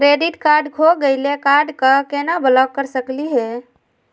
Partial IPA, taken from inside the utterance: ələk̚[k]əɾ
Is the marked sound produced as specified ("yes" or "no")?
yes